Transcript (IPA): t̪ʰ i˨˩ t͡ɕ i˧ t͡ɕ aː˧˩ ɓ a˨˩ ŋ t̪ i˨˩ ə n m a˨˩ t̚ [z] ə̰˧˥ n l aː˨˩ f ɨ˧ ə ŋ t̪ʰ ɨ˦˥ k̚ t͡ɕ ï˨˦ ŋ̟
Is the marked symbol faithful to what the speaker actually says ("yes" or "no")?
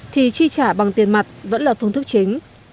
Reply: no